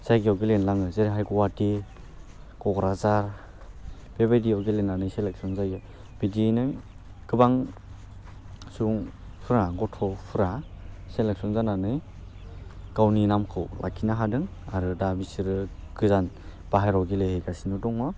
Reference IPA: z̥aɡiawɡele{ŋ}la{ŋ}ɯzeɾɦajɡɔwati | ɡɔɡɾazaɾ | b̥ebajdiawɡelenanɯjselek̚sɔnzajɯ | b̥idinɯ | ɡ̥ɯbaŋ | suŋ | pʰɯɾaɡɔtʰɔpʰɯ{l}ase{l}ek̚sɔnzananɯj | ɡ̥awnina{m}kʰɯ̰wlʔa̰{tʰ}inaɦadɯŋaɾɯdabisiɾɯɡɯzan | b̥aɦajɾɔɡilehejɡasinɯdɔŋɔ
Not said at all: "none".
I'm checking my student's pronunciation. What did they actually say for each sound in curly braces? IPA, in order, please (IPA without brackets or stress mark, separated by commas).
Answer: n, ŋ, ɾ, l, m, kʰ